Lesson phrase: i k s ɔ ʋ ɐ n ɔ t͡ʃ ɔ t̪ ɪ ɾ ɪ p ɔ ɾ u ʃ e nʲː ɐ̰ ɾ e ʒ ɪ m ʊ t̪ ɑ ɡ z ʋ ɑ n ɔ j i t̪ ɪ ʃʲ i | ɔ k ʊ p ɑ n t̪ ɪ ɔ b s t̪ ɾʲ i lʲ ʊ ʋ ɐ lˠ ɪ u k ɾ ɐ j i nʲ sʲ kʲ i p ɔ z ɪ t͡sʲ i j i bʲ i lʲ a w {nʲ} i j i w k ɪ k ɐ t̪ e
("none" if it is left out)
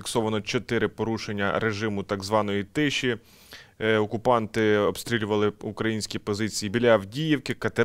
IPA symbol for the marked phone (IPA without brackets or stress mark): dʲ